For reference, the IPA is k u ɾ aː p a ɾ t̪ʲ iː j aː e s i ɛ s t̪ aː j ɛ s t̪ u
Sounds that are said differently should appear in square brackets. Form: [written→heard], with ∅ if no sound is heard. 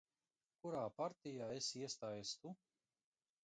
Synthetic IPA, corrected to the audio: k u ɾ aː p a ɾ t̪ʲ [iː→i] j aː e s i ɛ s t̪ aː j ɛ s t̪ u